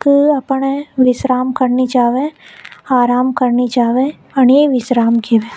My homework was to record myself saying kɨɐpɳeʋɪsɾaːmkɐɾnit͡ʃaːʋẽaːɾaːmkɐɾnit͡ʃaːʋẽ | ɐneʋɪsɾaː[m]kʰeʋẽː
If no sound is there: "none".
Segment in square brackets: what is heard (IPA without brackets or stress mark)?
m